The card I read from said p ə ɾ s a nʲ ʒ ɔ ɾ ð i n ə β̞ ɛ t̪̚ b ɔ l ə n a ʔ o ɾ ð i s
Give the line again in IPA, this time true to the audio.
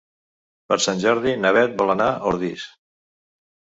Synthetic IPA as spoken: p ə ɾ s a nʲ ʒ ɔ ɾ ð i n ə β̞ ɛ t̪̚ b ɔ l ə n a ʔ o ɾ ð i s